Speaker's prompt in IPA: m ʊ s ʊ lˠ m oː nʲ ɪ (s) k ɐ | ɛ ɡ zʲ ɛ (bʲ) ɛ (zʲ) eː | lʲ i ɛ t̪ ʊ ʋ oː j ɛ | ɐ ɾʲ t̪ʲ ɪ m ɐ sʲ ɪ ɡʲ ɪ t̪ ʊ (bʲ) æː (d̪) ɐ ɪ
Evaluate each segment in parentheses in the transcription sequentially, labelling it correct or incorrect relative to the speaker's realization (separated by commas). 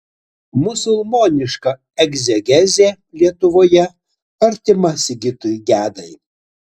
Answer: incorrect, incorrect, correct, incorrect, correct